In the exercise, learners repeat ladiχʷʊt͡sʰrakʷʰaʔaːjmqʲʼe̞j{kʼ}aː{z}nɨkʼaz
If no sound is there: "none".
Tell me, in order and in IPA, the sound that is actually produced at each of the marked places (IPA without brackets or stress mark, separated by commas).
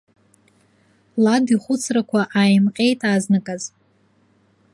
tʼ, z